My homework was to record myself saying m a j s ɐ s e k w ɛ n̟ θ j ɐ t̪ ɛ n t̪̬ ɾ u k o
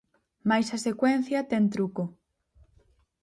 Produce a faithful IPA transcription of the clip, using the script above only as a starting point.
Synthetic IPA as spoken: m a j s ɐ s e k w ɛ n̟ θ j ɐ t̪ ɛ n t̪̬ ɾ u k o